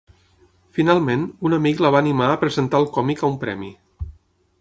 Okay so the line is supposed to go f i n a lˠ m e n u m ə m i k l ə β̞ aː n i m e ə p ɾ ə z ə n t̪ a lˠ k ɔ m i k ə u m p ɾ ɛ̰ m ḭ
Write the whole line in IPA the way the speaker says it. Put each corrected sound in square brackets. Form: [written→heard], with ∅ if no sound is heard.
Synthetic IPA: f i n a lˠ m e n u [m→n] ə m i k l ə β̞ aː n i m [e→a] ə p ɾ ə z ə n t̪ a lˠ k ɔ m i k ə u m p ɾ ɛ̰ m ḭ